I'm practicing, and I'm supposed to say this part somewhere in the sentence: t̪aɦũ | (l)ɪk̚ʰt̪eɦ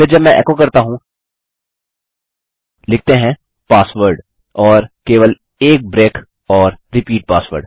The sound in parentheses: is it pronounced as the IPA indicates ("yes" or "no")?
yes